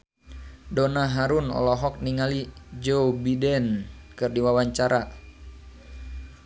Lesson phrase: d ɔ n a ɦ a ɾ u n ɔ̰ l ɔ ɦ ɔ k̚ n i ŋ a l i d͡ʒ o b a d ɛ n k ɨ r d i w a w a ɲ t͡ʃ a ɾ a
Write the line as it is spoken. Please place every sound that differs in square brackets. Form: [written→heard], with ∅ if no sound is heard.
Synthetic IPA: d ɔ n a ɦ a ɾ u n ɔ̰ l ɔ ɦ ɔ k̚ n i ŋ a l i d͡ʒ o b [a→i] d ɛ n k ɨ r d i w a w a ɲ t͡ʃ a ɾ a